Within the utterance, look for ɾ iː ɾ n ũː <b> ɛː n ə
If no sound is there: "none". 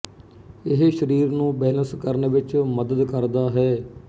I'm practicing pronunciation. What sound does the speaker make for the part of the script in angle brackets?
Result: b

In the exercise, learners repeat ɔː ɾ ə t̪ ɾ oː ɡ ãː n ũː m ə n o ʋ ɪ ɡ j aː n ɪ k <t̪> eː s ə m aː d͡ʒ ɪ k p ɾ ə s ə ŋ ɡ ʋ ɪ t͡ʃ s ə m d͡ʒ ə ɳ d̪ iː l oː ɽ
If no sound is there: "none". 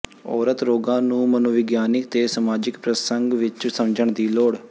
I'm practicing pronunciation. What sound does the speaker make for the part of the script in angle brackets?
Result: t̪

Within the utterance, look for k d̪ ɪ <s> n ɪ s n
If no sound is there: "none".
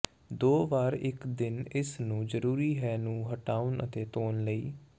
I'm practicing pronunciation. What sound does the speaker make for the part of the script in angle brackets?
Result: none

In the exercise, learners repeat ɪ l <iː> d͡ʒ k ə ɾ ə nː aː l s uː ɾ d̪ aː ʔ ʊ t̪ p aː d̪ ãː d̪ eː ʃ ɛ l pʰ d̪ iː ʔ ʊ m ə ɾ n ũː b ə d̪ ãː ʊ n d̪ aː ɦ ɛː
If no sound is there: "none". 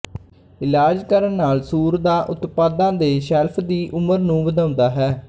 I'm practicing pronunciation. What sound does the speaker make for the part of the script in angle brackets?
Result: aː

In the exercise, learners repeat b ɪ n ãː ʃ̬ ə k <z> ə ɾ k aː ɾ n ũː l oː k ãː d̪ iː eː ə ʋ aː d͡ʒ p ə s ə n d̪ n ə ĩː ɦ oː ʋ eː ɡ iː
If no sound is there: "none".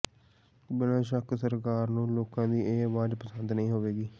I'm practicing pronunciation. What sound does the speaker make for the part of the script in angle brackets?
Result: s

